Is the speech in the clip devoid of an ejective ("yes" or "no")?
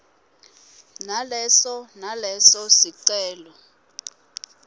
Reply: yes